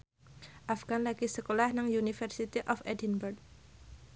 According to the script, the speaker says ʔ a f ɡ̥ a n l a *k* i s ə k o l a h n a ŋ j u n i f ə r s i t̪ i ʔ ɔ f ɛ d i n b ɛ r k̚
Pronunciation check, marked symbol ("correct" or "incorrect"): incorrect